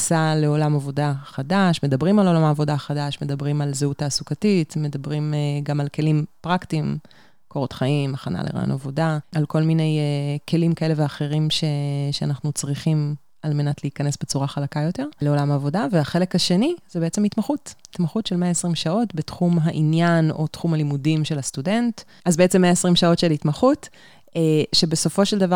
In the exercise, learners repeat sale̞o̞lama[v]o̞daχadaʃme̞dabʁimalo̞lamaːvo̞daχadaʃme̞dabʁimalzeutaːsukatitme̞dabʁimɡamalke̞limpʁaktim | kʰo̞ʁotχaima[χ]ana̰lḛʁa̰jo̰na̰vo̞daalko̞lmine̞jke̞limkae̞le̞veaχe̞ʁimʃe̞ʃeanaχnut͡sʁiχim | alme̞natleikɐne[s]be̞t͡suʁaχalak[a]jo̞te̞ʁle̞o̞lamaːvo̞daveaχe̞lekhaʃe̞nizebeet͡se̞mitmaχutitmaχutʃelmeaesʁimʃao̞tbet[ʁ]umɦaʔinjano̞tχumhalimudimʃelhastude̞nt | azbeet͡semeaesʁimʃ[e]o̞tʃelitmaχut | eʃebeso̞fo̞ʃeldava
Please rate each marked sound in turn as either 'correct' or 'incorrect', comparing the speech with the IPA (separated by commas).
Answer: correct, correct, correct, correct, incorrect, incorrect